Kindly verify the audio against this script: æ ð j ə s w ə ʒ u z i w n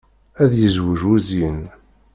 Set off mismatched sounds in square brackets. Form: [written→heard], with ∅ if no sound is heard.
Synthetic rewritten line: æ ð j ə [s→z] w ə ʒ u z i [w→∅] n